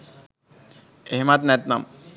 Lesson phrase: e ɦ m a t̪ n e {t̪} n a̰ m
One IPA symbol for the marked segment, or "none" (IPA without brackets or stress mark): t̪